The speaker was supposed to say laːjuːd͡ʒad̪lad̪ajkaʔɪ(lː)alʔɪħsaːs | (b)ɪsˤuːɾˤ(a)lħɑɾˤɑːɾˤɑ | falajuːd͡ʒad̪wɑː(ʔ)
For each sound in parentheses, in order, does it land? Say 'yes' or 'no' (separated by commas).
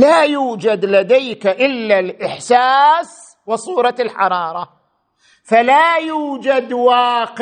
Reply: yes, no, no, no